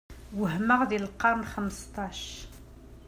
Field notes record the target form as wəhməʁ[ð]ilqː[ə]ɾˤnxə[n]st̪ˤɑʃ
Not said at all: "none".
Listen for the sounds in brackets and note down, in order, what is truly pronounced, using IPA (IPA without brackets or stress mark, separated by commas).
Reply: ð, ɑ, m